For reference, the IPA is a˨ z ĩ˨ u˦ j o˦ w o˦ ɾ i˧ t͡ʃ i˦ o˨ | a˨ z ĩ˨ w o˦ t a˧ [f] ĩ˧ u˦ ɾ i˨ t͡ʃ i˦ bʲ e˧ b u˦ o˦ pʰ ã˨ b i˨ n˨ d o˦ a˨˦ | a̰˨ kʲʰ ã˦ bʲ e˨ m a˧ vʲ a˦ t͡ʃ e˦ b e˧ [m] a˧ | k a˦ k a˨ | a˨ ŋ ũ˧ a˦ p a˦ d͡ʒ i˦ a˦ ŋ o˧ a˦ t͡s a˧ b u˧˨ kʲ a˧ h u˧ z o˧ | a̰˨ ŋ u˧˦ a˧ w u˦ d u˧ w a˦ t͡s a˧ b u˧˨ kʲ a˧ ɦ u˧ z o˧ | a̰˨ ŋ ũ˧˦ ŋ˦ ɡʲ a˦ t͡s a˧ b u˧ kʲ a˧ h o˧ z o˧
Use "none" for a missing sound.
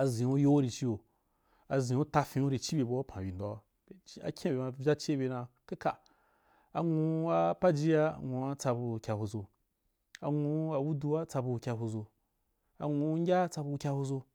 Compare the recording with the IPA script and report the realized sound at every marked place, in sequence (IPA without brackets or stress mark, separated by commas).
f, n